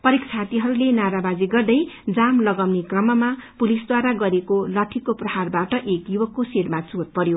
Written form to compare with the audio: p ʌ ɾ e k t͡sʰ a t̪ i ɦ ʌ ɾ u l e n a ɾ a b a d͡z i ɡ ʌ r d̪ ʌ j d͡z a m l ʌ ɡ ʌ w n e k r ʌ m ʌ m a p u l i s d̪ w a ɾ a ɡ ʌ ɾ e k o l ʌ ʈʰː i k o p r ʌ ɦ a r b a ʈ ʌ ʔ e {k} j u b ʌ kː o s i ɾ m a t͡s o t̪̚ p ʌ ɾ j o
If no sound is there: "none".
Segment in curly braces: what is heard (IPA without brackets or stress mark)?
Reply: k